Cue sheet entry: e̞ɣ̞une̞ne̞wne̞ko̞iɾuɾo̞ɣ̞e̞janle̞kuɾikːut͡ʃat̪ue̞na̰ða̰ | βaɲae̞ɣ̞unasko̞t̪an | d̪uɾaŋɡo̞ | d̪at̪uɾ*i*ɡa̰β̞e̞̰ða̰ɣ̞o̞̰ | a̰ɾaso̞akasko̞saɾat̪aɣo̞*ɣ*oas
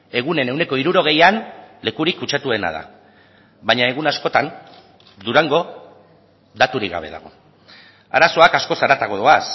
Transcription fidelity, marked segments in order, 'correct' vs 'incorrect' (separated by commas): correct, incorrect